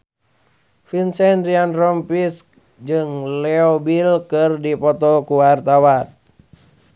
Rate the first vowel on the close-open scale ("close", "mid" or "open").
close